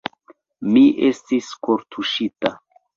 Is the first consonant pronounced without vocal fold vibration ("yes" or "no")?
no